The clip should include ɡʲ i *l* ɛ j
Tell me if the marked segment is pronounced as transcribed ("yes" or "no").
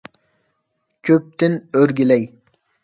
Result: yes